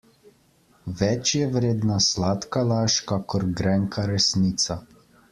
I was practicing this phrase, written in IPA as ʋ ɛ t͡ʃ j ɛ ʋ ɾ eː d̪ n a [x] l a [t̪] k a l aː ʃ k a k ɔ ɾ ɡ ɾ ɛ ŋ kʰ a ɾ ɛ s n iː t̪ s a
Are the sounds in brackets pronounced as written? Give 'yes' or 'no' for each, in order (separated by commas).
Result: no, yes